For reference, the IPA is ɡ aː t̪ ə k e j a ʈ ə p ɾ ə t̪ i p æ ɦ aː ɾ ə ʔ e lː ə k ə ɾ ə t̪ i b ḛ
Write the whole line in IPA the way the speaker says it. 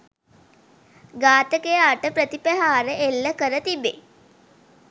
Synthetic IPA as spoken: ɡ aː t̪ ə k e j a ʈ ə p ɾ ə t̪ i p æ ɦ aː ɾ ə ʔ e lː ə k ə ɾ ə t̪ i b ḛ

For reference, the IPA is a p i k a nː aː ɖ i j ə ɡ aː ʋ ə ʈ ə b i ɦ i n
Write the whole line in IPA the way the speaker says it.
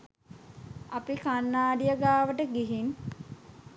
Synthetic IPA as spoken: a p i k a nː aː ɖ i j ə ɡ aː ʋ ə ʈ ə ɡ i ɦ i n

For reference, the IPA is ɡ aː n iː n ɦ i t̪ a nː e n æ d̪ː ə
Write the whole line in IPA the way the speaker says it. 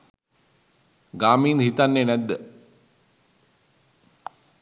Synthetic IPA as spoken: ɡ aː m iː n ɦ i t̪ a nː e n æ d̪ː ə

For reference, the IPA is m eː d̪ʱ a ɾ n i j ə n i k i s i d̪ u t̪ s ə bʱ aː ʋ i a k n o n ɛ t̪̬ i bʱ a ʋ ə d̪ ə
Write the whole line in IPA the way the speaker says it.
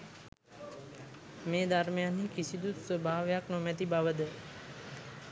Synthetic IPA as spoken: m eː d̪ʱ a ɾ m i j a n i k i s i d̪ u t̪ s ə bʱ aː ʋ j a k n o m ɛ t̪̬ i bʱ a ʋ ə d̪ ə

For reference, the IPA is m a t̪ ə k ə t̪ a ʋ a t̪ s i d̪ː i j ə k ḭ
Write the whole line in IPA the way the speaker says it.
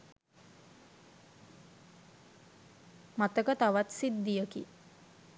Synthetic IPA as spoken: m a t̪ ə k ə t̪ a ʋ a t̪ s i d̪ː i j ə k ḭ

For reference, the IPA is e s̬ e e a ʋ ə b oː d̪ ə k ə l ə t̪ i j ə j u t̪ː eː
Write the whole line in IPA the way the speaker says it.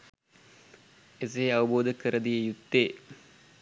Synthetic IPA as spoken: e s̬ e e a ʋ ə b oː d̪ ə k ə ɾ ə d̪ i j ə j u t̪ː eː

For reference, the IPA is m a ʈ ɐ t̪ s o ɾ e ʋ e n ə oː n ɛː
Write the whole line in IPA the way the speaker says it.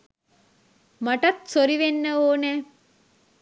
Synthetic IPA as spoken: m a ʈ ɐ t̪ s o ɾ i ʋ e nː ə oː n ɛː

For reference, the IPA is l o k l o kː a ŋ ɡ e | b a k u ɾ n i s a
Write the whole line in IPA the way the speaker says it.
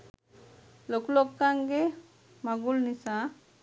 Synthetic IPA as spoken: l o k l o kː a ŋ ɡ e | m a ɡ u l n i s a

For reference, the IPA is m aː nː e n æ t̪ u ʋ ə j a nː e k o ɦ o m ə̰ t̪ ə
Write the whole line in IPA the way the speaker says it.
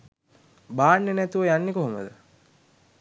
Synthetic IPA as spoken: b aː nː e n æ t̪ u ʋ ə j a nː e k o ɦ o m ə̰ d̪ ə

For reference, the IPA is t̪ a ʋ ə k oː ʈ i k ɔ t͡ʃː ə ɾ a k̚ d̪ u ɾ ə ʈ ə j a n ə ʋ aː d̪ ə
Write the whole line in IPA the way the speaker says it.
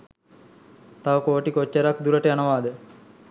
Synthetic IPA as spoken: t̪ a ʋ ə k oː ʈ i k o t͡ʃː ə ɾ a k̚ d̪ u ɾ ə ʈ ə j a n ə ʋ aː d̪ ə

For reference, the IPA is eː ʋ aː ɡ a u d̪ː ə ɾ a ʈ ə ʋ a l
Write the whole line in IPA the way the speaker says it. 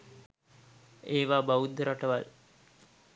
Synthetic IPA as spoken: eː ʋ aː b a u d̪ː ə ɾ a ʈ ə ʋ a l

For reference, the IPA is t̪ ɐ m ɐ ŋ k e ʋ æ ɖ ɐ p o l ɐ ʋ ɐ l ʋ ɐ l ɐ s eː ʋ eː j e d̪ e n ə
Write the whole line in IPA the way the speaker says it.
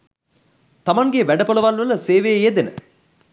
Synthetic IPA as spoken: t̪ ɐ m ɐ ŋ ɡ e ʋ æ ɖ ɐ p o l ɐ ʋ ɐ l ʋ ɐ l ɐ s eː ʋ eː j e d̪ e n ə

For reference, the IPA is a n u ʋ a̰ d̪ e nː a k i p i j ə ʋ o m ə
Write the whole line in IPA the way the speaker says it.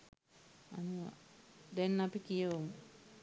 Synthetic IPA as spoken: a n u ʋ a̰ d̪ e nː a p i k i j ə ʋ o m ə

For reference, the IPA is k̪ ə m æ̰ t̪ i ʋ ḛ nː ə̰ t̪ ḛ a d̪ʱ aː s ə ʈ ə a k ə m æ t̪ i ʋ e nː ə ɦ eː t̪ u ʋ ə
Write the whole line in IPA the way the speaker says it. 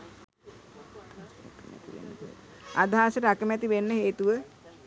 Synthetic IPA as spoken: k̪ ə m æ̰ t̪ i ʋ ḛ nː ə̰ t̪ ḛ a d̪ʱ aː s ə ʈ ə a k ə m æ t̪ i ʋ e nː ə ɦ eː t̪ u ʋ ə

